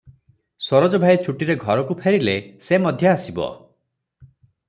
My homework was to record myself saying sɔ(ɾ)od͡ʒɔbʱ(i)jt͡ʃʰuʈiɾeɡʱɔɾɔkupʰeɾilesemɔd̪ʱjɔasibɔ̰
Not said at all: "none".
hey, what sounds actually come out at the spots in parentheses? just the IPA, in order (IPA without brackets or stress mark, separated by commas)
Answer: ɾ, a